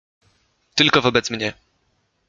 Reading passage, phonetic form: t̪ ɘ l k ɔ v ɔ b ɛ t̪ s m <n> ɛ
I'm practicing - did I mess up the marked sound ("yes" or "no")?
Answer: yes